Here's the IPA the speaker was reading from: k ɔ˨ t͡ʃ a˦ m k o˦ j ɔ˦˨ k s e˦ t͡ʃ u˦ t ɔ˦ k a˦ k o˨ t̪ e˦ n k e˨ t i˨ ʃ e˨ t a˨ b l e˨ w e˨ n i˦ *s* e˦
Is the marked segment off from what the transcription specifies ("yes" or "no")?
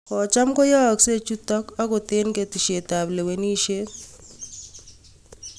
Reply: yes